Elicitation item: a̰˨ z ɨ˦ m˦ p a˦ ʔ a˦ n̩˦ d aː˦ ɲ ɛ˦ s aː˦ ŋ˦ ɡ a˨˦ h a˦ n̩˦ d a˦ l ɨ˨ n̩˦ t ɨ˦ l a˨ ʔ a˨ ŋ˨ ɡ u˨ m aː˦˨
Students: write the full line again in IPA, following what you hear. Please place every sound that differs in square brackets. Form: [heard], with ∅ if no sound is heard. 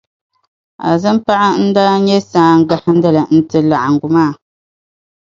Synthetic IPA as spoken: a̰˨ z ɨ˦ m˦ p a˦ ʔ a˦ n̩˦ d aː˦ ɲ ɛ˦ s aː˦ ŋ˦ ɡ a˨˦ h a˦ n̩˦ d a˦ l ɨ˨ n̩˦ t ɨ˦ l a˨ ʔ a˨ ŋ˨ ɡ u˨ m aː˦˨